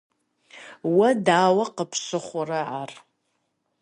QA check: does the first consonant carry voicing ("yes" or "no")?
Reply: yes